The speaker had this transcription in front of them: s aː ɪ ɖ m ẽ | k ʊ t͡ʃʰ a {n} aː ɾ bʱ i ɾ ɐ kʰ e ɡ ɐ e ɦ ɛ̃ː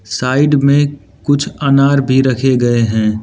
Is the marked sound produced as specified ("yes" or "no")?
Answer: yes